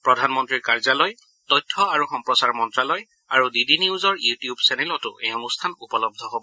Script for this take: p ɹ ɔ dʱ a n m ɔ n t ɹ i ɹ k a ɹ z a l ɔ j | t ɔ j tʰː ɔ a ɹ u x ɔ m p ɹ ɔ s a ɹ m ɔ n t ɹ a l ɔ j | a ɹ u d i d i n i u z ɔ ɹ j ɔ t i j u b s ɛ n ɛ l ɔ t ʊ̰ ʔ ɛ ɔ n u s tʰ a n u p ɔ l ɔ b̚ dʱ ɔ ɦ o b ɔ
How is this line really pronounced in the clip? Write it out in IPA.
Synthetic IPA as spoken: p ɹ ɔ dʱ a n m ɔ n t ɹ i ɹ k a ɹ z a l ɔ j | t ɔ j tʰː ɔ a ɹ u x ɔ m p ɹ ɔ s a ɹ m ɔ n t ɹ a l ɔ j | a ɹ u d i d i n i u z ɔ ɹ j u t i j u b s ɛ n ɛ l ɔ t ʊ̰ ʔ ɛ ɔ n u s tʰ a n u p ɔ l ɔ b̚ dʱ ɔ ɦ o b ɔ